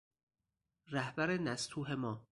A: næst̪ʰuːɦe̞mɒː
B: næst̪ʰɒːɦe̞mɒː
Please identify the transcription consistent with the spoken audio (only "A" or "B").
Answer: A